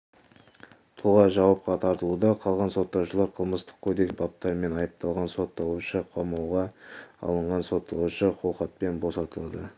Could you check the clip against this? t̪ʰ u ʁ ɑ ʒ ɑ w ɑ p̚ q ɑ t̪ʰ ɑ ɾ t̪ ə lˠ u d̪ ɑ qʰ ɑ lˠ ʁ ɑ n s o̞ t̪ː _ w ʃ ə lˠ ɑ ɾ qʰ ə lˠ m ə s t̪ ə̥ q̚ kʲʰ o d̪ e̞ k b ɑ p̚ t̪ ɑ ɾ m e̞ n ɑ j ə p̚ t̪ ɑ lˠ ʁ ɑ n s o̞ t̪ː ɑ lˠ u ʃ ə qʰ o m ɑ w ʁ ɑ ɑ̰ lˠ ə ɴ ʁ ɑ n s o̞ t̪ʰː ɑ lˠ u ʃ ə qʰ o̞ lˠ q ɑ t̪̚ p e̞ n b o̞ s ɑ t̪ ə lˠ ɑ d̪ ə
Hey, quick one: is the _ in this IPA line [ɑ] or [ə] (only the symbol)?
ɑ